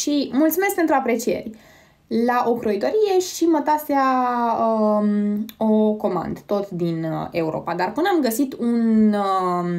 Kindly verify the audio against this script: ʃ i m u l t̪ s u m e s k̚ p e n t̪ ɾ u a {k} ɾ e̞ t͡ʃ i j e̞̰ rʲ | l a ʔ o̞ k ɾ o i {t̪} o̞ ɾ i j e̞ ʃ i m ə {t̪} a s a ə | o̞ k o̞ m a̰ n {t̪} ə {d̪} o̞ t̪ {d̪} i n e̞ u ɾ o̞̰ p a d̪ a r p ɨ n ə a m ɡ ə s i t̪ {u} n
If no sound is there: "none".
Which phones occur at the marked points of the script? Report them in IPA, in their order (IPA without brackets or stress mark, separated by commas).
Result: p, t̪, t̪, d̪, t̪, d̪, u